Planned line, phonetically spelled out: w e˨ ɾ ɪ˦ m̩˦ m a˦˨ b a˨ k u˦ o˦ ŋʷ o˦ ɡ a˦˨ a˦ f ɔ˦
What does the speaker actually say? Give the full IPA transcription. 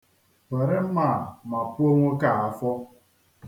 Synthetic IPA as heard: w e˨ ɾ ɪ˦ m̩˦ m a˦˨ m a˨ p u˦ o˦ ŋʷ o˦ k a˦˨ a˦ f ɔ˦